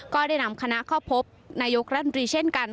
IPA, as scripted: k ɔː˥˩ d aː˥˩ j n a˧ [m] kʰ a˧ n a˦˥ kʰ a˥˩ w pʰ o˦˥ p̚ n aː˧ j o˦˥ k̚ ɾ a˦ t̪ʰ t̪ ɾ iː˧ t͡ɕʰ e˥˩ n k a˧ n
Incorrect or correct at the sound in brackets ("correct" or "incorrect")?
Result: correct